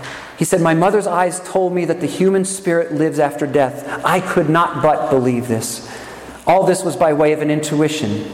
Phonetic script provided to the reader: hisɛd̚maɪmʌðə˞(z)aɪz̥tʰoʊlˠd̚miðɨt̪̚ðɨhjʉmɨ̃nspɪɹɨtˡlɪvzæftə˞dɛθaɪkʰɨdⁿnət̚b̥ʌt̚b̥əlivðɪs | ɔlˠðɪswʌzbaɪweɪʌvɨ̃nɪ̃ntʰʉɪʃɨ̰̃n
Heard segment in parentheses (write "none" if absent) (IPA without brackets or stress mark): z